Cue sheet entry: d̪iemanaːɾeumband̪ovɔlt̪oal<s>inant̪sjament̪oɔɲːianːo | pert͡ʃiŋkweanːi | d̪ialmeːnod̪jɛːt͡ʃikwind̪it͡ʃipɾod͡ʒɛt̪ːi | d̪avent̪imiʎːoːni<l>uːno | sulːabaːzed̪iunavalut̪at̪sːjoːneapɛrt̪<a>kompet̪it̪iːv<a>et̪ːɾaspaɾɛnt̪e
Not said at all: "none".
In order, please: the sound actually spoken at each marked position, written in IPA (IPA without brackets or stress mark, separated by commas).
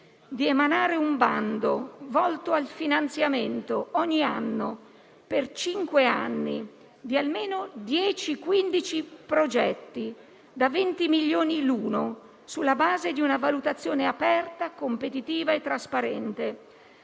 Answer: f, l, a, a